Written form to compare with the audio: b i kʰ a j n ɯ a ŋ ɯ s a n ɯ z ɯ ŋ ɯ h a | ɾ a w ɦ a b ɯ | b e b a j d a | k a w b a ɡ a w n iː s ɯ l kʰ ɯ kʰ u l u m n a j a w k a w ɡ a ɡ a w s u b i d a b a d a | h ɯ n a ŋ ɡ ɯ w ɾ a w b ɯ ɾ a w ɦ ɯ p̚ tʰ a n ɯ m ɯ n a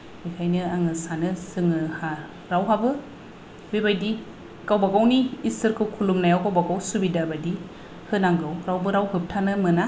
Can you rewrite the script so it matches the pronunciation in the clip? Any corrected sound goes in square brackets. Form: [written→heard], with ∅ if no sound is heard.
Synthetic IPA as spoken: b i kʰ a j n ɯ a ŋ ɯ s a n ɯ [z→s] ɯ ŋ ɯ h a | ɾ a w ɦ a b ɯ | b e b a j d [a→i] | k a w b a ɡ a w n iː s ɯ [l→ɾ] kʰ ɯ kʰ u l u m n a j a w k a w [ɡ→b] a ɡ a w s u b i d a b a d [a→i] | h ɯ n a ŋ ɡ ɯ w ɾ a w b ɯ ɾ a w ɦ ɯ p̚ tʰ a n ɯ m ɯ n a